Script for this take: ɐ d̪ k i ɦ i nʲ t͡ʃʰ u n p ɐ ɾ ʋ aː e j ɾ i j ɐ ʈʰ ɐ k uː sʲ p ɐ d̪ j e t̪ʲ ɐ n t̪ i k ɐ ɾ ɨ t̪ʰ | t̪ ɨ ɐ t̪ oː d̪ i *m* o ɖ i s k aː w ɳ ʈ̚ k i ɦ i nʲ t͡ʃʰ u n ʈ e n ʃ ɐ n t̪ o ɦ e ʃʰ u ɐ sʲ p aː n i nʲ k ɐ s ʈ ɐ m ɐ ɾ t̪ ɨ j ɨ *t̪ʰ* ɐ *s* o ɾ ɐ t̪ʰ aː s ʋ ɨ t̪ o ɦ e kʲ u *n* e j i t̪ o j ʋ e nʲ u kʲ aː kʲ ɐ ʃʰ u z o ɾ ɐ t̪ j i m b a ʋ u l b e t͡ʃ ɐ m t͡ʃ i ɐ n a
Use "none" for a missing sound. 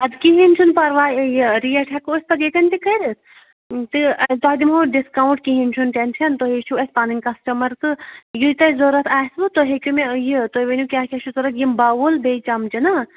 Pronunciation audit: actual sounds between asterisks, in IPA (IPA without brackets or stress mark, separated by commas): m, t̪, z, m